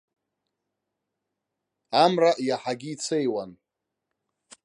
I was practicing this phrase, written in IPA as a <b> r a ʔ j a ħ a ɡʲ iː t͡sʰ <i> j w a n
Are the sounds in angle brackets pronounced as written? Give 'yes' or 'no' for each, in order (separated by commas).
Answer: no, no